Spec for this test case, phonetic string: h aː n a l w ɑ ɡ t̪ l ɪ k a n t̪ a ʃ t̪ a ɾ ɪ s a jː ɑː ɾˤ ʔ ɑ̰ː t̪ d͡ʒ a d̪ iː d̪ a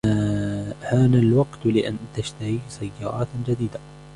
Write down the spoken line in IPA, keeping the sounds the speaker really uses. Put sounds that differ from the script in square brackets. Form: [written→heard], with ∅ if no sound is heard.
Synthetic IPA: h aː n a l w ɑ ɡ t̪ l ɪ [k→ʔ] a n t̪ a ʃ t̪ a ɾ [ɪ→i] s a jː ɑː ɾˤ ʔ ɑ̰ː t̪ d͡ʒ a d̪ iː d̪ a